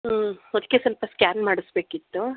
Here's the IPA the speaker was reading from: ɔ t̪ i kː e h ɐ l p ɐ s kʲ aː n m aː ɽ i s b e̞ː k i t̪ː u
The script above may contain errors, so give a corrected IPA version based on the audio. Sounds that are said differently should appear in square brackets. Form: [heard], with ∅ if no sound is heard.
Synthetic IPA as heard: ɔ [d̪] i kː e [s] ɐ l p ɐ s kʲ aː n m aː ɽ i s b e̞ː k i t̪ː u